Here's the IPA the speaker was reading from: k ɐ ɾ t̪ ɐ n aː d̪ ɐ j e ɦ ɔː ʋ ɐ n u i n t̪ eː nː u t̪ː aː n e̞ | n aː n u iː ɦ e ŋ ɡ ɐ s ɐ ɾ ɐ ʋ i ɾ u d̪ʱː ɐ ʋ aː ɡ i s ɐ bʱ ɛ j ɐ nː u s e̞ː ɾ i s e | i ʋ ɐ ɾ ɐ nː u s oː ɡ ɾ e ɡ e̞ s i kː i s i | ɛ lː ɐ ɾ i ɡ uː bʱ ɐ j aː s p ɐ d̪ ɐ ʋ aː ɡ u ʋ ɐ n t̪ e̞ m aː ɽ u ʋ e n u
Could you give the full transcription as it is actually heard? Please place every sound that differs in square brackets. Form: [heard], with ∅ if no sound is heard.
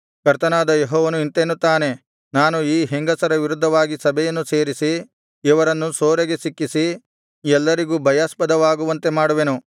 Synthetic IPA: k ɐ ɾ t̪ ɐ n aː d̪ ɐ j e ɦ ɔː ʋ ɐ n u i n t̪ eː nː u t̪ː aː n e̞ | n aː n u iː ɦ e ŋ ɡ ɐ s ɐ ɾ ɐ ʋ i ɾ u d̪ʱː ɐ ʋ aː ɡ i s ɐ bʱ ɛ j ɐ nː u s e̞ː ɾ i s [i] | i ʋ ɐ ɾ ɐ nː u s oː [∅] ɾ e ɡ e̞ s i kː i s i | ɛ lː ɐ ɾ i ɡ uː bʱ ɐ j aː s p ɐ d̪ ɐ ʋ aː ɡ u ʋ ɐ n t̪ e̞ m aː ɽ u ʋ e n u